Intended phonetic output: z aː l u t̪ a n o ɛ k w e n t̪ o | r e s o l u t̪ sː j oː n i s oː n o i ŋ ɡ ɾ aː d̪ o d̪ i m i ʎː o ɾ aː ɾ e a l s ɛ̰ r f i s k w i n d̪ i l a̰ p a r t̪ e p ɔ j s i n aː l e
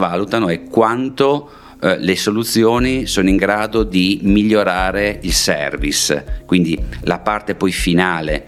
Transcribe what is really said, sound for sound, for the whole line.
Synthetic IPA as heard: v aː l u t̪ a n o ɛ k w a n t̪ o | l e s o l u t̪ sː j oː n i s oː n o i ŋ ɡ ɾ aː d̪ o d̪ i m i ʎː o ɾ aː ɾ e i l s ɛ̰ r v i s k w i n d̪ i l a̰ p a r t̪ e p ɔ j f i n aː l e